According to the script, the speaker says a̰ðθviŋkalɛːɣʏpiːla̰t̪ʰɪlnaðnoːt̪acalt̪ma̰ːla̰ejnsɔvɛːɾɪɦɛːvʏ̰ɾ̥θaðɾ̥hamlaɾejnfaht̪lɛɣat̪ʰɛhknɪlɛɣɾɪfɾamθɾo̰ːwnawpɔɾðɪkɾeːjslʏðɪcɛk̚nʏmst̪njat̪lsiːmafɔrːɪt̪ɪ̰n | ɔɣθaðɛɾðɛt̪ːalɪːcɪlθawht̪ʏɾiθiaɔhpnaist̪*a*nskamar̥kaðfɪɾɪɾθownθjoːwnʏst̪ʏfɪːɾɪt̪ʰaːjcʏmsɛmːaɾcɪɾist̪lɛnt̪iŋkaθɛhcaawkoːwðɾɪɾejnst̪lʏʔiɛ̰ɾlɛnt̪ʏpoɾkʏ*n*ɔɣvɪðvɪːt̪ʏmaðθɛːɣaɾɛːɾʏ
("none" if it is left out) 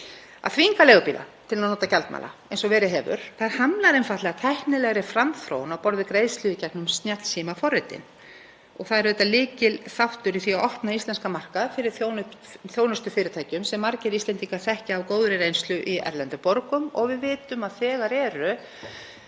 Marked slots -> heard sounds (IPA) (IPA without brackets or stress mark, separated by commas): ɛ, m